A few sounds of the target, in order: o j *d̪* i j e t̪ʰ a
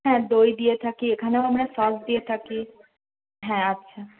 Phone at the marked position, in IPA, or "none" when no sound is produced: d̪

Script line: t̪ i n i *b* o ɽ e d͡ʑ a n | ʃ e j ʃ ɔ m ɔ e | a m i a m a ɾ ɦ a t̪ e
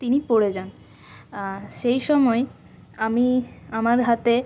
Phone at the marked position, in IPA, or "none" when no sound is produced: p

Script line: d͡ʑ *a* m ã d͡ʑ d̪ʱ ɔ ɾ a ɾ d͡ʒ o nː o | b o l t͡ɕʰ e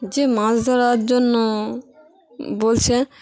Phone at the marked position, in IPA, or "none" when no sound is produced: e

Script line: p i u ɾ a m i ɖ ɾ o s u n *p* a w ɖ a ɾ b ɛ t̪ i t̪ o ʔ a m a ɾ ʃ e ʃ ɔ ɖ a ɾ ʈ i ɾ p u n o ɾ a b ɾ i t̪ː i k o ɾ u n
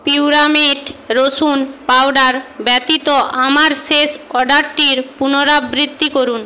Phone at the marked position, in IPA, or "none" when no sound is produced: p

